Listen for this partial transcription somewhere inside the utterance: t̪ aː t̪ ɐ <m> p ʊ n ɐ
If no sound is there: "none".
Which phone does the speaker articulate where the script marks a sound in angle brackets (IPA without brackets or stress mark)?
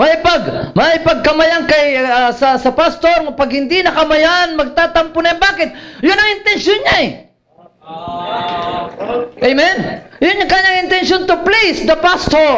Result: m